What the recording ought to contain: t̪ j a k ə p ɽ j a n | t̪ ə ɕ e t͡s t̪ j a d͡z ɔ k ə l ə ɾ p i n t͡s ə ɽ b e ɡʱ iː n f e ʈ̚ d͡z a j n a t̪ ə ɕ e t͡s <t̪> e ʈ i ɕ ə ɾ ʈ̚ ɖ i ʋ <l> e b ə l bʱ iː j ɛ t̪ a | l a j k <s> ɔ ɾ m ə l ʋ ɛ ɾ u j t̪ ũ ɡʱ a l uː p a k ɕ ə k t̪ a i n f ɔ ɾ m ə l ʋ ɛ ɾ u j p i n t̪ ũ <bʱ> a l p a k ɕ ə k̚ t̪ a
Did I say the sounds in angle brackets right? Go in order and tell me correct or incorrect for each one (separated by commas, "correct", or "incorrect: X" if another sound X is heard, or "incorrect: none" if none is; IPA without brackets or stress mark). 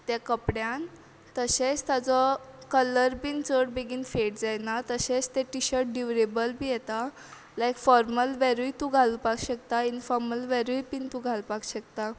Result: correct, incorrect: ɾ, incorrect: f, incorrect: ɡʱ